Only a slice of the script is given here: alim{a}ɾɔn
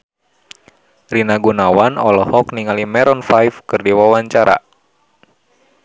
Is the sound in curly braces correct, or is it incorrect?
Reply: incorrect: ɛ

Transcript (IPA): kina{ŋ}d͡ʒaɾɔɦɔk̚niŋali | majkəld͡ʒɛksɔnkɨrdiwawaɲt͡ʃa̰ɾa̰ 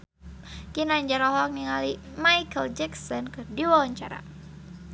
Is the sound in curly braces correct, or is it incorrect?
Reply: incorrect: ɲ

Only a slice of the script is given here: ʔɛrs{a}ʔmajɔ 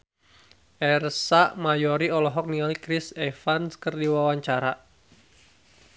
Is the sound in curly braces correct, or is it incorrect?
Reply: correct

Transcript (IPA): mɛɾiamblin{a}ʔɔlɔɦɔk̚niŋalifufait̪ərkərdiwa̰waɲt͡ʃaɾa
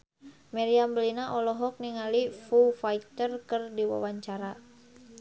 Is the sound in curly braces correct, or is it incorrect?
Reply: correct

